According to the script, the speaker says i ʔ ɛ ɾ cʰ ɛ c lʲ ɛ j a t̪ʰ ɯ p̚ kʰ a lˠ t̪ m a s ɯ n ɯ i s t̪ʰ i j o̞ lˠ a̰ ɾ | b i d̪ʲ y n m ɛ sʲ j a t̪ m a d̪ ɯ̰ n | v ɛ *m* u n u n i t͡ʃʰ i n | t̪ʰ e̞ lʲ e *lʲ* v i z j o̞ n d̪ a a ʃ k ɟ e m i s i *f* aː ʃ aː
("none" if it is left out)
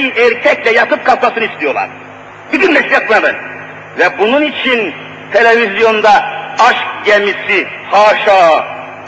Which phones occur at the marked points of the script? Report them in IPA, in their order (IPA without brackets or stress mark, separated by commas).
b, none, h